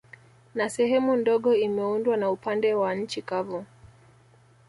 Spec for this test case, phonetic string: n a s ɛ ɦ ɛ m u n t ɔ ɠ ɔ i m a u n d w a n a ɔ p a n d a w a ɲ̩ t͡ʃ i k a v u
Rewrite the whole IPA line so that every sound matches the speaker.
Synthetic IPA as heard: n a s ɛ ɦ ɛ m u n d ɔ ɠ ɔ i m ɛ u n d w a n a u p a n d ɛ w a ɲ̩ t͡ʃ i k a v u